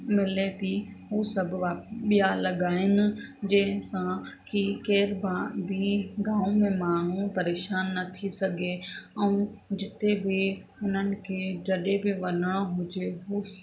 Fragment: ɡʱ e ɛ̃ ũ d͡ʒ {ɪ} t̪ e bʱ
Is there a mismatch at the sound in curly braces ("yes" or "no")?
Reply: no